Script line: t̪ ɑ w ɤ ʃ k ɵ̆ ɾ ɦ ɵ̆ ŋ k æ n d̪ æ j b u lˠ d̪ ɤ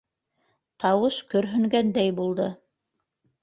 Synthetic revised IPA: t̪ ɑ w ɤ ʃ k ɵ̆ ɾ ɦ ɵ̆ ŋ ɡ æ n d̪ æ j b u lˠ d̪ ɤ